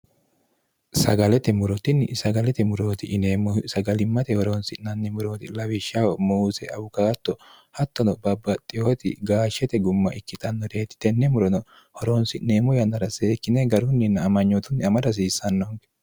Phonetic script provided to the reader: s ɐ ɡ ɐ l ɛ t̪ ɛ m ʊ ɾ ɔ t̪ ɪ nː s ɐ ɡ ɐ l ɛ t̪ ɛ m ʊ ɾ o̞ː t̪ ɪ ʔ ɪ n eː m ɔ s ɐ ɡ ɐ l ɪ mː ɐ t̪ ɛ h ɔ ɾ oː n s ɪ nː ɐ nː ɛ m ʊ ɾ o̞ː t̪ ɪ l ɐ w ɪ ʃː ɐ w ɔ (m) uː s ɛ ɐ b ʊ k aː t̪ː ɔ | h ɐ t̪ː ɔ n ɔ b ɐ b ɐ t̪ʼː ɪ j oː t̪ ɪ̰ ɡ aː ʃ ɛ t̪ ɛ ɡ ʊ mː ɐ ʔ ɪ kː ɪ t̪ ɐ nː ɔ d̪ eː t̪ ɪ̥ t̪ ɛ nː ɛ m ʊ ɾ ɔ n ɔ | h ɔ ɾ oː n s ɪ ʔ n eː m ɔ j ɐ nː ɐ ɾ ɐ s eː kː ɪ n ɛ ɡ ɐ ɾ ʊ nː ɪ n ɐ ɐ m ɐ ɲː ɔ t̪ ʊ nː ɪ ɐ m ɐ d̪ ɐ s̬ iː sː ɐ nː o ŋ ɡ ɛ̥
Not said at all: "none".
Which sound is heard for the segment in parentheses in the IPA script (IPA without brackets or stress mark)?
m